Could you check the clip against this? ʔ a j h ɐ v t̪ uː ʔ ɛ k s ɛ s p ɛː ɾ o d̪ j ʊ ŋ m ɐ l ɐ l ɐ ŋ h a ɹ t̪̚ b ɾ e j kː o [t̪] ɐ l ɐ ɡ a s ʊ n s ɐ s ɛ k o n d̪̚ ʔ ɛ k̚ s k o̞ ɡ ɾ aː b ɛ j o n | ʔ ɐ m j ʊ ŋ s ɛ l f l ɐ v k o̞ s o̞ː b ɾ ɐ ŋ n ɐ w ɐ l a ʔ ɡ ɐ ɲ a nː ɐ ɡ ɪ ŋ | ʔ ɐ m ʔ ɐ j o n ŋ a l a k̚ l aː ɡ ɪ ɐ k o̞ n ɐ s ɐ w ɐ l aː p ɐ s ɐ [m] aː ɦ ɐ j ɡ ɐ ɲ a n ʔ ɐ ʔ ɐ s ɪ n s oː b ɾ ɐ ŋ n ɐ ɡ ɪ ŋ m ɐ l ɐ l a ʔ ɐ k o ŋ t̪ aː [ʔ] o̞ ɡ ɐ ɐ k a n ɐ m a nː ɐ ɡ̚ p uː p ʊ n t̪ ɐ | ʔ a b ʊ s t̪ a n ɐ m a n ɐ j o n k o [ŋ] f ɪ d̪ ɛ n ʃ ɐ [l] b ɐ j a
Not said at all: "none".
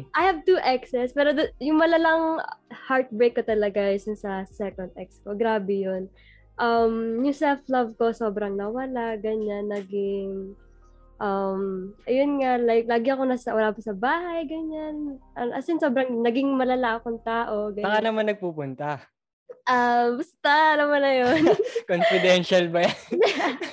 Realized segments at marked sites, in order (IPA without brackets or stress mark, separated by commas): t̪, b, ʔ, n, l